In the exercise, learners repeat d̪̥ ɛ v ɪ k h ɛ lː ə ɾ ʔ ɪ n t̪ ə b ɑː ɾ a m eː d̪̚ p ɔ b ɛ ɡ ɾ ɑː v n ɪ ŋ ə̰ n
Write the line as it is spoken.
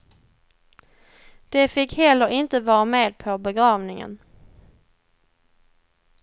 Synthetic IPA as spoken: d̪̥ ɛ f ɪ k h ɛ lː ə ɾ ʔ ɪ n t̪ ə v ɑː ɾ a m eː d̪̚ pʰ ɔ b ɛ ɡ ɾ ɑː v n ɪ ŋ ə̰ n